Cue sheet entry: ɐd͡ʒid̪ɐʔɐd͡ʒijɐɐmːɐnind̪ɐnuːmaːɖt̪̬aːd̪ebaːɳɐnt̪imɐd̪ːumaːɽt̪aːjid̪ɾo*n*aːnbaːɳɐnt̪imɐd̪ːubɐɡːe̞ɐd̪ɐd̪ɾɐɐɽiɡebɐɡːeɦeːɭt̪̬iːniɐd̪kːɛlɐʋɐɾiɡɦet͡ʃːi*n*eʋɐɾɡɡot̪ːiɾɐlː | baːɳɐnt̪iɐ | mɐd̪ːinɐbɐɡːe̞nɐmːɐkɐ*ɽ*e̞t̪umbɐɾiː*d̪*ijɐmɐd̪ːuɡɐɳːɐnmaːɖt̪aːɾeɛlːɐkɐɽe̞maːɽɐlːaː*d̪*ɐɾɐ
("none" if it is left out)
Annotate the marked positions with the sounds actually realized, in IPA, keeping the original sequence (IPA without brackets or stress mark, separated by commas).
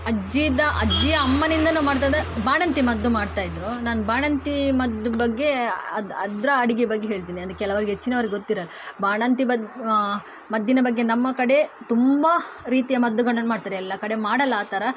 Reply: n, n, ɽ, t̪, t̪